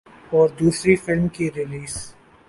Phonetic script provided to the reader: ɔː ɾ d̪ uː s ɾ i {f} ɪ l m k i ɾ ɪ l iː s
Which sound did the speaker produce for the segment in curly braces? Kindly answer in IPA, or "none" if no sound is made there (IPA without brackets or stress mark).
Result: f